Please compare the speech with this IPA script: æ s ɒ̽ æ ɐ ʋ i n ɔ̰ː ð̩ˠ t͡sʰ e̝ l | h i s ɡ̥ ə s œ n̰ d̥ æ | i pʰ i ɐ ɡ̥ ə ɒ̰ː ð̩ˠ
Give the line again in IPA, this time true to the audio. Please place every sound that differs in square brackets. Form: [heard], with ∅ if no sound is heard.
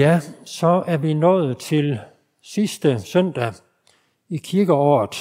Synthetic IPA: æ s ɒ̽ æ ɐ ʋ i n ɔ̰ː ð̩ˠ t͡sʰ e̝ l | [s] i s [d̥] ə s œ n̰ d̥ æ | i [kʰ] i ɐ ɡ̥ ə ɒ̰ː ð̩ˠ